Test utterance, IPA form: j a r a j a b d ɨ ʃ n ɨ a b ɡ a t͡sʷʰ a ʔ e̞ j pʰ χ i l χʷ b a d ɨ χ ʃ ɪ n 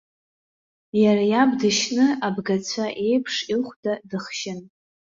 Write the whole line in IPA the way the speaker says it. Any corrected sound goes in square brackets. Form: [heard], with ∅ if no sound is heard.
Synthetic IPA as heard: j a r a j a b d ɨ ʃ n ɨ a b ɡ a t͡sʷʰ a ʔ e̞ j pʰ [ʂ] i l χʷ [d] a d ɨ χ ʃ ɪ n